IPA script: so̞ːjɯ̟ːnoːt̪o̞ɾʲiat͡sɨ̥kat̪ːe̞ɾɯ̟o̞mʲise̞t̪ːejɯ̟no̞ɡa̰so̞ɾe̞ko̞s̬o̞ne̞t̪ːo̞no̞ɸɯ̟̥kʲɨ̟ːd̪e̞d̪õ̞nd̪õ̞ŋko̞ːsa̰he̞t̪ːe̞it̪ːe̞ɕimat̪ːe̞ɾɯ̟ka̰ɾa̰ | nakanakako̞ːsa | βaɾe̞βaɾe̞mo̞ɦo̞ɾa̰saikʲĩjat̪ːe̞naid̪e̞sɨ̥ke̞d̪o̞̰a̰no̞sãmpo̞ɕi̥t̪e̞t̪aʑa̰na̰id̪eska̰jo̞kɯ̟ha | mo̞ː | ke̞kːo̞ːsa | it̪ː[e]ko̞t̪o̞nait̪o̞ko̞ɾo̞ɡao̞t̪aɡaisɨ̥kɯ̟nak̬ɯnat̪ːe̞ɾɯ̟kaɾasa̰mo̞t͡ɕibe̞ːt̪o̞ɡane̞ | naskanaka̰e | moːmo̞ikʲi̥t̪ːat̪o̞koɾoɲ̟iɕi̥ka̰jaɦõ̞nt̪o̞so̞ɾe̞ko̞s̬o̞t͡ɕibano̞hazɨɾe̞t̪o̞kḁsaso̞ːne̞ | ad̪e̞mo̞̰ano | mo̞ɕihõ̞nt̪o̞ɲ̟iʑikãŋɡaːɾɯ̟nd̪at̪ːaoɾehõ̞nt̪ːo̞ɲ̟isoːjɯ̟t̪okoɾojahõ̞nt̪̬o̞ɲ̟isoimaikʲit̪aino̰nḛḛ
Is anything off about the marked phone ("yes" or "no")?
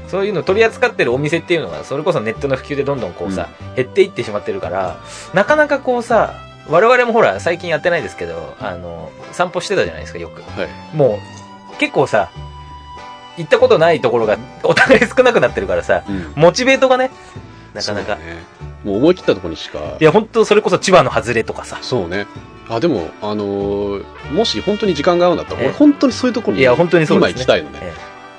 yes